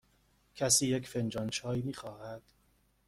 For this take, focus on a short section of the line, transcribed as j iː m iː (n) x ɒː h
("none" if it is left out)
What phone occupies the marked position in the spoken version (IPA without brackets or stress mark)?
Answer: none